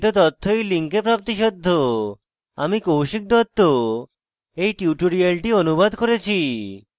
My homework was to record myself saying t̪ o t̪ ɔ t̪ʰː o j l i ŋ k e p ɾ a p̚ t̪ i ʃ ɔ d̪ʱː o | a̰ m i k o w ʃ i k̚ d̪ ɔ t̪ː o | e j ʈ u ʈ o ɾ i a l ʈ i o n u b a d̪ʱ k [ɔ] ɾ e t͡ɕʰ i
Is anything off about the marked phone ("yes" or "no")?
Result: yes